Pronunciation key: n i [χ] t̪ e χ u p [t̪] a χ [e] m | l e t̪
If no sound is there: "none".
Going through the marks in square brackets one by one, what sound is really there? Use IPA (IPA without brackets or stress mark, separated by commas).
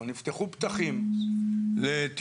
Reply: f, t̪, i